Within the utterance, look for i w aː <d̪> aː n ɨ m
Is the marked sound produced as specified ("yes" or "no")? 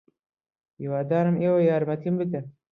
yes